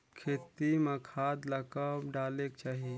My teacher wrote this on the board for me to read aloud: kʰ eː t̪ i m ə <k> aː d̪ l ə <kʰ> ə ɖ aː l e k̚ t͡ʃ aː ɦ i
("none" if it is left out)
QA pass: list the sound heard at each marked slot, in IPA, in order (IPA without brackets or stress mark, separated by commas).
kʰ, k